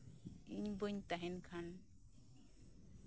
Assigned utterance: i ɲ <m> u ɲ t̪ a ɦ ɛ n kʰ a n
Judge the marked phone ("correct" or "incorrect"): incorrect